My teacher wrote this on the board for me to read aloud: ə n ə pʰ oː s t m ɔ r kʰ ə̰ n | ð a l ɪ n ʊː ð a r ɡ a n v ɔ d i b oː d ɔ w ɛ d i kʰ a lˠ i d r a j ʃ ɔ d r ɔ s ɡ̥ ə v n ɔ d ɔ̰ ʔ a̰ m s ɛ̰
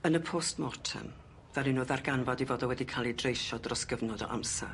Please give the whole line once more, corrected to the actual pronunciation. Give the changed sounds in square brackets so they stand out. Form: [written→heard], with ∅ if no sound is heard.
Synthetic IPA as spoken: ə n ə pʰ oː s t m ɔ r [kʰ→tʰ] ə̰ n | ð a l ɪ n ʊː ð a r ɡ a n v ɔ d i [b→v] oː d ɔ w ɛ d i kʰ a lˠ i d r [a→e] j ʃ ɔ d r ɔ s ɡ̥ ə v n ɔ d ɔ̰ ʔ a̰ m s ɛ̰